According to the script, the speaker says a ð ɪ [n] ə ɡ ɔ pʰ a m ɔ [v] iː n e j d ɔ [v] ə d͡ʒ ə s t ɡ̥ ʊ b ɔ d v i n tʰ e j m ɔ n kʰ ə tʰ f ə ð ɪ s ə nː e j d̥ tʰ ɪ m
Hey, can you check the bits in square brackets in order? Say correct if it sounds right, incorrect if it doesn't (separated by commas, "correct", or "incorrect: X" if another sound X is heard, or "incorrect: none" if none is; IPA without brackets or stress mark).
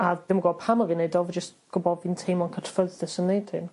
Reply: incorrect: m, correct, correct